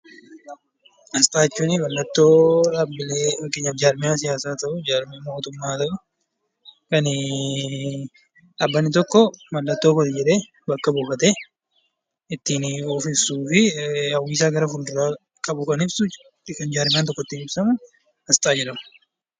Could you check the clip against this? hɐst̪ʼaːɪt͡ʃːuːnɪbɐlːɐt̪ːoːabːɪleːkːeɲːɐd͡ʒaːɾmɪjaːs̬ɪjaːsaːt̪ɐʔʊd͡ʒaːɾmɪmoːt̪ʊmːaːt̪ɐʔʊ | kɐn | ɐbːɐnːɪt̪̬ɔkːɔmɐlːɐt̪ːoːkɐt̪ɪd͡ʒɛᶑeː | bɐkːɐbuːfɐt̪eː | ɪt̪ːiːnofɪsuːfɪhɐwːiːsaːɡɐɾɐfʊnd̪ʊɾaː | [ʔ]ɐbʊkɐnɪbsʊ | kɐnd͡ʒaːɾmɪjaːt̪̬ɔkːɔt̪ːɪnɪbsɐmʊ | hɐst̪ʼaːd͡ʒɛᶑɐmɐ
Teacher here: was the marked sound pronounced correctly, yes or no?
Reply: no